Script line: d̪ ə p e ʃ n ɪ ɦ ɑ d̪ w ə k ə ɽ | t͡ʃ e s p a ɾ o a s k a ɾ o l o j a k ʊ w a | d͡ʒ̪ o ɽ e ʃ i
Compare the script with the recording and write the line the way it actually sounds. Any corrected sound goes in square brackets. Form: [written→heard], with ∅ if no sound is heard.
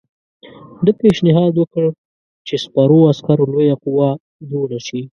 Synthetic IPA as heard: d̪ ə p e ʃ n ɪ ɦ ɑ d̪ w ə k ə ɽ | t͡ʃ e s p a ɾ o a s k a ɾ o l o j a [k→q] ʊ w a | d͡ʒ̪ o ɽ [e→a] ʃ i